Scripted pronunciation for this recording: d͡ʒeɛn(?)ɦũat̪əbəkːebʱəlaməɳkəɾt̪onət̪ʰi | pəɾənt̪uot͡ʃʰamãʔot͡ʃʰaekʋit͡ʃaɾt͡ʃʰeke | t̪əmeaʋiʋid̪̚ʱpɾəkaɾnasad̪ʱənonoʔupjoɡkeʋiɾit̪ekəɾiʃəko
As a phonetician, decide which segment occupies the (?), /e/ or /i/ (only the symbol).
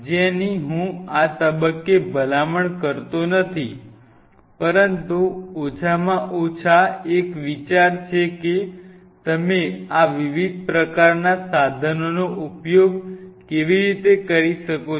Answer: i